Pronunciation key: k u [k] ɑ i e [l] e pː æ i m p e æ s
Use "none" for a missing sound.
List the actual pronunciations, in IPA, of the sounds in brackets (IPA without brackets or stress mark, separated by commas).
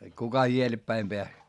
k, l